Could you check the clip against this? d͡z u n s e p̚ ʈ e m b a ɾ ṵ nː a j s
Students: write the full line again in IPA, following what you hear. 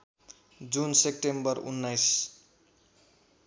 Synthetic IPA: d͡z u n s e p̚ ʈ e m b ʌ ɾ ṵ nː a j s